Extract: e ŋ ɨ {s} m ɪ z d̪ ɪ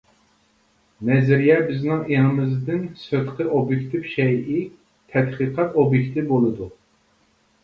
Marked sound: incorrect: none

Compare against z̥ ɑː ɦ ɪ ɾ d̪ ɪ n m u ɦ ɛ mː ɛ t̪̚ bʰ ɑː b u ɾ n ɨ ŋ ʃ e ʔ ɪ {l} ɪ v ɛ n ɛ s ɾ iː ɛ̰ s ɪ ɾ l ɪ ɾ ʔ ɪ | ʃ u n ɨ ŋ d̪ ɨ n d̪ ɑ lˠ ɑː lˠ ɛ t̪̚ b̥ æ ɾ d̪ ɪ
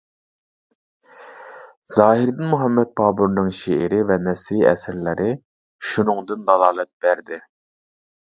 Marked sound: incorrect: ɾ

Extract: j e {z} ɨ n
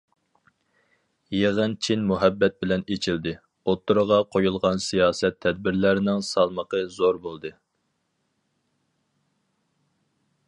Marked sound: incorrect: ʁ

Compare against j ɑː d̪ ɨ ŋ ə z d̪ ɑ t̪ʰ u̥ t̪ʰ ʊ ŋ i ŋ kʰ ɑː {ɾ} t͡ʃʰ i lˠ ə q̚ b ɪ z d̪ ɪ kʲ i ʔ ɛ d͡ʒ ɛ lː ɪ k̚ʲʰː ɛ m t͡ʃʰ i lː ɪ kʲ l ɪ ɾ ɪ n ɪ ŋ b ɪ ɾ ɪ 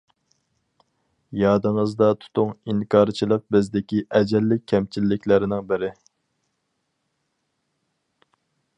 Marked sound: correct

